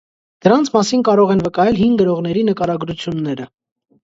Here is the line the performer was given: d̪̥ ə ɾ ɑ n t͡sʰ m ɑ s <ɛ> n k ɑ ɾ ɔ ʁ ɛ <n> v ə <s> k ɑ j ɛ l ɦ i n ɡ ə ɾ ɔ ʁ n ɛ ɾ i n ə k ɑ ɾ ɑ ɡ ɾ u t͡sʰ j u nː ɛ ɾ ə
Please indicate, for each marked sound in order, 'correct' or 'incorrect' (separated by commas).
incorrect, correct, incorrect